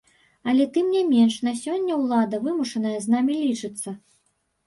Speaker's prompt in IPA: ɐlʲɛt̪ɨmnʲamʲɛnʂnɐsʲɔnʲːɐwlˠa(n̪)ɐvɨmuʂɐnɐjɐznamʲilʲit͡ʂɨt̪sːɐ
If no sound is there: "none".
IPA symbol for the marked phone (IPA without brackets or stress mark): d̪